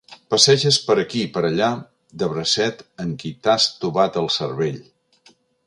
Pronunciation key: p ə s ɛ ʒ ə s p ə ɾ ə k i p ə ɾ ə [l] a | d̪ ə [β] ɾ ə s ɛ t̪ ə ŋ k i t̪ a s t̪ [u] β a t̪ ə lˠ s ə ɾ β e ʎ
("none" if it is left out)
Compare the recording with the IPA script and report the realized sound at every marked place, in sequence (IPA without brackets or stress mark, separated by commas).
ʎ, β, u